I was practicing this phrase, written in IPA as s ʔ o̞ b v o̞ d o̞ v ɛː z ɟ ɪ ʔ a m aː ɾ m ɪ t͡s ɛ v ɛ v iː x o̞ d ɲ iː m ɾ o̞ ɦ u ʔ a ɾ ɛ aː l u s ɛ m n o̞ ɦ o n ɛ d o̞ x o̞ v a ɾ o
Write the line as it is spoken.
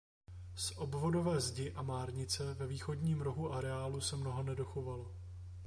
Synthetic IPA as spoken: s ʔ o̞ b v o̞ d o̞ v ɛː z ɟ ɪ ʔ a m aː ɾ ɲ ɪ t͡s ɛ v ɛ v iː x o̞ d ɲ iː m ɾ o̞ ɦ u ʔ a ɾ ɛ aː l u s ɛ m n o̞ ɦ o n ɛ d o̞ x o̞ v a l o